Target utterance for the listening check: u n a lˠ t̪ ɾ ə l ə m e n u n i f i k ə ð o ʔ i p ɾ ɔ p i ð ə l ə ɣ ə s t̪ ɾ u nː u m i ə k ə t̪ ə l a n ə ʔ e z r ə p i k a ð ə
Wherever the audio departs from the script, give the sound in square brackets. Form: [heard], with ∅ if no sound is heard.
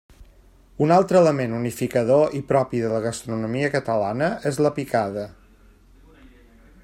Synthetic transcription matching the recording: u n a lˠ t̪ ɾ ə l ə m e n u n i f i k ə ð o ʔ i p ɾ ɔ p i ð ə l ə ɣ ə s t̪ ɾ u [n] u m i ə k ə t̪ ə l a n ə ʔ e z [l] ə p i k a ð ə